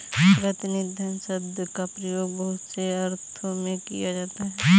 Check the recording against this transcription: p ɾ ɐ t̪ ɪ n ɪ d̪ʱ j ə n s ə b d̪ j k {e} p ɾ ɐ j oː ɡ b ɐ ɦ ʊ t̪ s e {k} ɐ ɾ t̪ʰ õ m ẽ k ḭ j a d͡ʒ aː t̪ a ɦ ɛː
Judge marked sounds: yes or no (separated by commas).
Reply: no, no